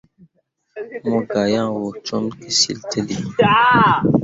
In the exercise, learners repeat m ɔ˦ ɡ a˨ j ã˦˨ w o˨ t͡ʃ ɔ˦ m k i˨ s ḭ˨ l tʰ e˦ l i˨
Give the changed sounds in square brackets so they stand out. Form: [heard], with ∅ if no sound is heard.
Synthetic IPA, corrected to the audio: m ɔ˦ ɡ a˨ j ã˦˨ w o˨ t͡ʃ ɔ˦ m k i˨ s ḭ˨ l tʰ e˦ l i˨